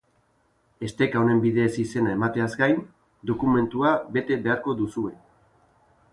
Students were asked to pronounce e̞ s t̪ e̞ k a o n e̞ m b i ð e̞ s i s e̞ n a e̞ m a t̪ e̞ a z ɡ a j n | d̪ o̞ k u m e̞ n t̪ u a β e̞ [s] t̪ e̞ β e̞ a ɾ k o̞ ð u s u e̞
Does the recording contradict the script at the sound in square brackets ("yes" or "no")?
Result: yes